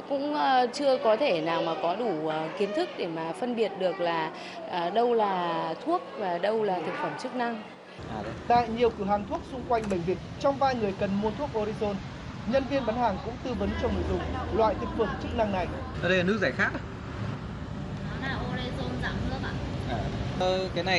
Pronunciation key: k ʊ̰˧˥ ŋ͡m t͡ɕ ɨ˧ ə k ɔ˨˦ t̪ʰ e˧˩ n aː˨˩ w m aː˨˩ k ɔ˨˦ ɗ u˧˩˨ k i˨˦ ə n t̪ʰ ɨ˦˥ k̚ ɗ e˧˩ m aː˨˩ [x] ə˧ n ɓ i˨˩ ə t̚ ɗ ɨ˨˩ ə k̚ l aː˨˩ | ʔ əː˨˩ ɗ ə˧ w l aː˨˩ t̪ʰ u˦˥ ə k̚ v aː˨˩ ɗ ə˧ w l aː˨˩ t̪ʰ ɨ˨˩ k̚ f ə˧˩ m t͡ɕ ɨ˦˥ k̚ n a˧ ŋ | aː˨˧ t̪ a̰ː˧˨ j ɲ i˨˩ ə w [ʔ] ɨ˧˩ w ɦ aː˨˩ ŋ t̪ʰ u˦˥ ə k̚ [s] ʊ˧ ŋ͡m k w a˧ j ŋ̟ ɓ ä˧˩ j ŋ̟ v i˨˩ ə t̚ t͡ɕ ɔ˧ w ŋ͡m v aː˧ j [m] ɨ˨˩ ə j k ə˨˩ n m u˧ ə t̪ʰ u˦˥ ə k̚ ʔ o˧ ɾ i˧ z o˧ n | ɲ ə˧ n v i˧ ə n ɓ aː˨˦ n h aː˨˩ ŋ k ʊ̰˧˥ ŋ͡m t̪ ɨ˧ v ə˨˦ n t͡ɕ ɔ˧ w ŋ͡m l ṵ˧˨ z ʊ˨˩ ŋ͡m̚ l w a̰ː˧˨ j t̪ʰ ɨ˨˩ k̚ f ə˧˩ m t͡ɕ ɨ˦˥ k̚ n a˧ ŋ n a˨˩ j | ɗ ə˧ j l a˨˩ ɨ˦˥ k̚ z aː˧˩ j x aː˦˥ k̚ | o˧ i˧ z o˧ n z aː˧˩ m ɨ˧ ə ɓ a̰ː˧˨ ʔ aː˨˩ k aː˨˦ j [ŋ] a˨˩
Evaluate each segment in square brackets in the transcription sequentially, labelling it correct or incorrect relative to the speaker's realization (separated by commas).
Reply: incorrect, incorrect, correct, incorrect, incorrect